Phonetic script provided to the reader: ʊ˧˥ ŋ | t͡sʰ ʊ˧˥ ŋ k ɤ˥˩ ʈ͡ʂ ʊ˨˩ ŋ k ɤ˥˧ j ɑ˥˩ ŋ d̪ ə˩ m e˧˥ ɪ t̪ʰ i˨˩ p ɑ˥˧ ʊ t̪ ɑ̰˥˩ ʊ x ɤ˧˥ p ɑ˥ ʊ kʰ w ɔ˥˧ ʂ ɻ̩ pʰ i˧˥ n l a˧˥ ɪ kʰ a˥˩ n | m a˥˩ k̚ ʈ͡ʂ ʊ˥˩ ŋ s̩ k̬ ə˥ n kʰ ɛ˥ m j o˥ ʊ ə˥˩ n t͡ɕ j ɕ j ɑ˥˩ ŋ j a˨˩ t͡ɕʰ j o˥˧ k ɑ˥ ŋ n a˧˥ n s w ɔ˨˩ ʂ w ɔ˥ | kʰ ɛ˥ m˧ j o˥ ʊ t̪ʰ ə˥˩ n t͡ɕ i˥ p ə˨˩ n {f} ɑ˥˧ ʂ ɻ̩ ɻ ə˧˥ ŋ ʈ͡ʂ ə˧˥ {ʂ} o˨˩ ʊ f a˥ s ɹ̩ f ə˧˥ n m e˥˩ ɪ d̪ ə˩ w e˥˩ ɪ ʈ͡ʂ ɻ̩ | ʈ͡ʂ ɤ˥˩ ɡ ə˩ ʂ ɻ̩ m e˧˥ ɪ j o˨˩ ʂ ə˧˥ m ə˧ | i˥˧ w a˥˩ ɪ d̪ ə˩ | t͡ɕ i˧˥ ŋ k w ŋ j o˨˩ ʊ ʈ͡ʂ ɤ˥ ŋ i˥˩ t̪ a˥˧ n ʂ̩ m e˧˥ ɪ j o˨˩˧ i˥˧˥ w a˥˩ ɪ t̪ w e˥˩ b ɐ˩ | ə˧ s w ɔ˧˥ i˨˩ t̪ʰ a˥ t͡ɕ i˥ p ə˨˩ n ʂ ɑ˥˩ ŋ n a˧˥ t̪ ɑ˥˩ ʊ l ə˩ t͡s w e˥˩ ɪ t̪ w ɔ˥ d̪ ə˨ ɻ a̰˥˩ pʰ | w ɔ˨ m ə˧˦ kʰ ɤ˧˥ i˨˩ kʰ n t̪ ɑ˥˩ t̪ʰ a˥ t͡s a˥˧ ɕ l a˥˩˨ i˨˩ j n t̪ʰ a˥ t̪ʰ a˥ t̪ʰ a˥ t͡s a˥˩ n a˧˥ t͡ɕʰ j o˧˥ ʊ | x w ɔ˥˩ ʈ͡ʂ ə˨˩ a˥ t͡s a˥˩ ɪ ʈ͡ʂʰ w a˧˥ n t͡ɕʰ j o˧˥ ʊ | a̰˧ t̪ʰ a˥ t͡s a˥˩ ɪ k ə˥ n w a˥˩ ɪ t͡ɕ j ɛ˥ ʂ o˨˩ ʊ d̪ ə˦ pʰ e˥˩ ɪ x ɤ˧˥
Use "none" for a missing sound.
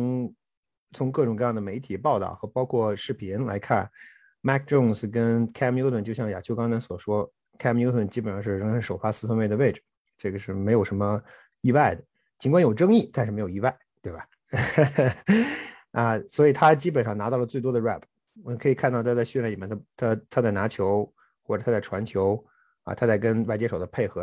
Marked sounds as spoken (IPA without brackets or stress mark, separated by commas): ʂ, ʂ